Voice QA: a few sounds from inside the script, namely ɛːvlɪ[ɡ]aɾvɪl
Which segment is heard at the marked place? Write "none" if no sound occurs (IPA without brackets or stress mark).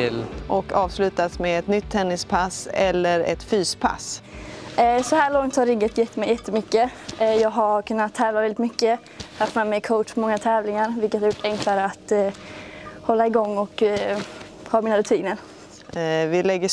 ŋ